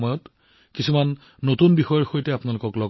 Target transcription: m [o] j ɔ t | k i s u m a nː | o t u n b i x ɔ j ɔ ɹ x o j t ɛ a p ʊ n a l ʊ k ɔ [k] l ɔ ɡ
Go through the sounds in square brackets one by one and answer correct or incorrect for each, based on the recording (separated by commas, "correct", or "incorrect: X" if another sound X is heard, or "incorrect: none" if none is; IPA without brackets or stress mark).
incorrect: ɔ, correct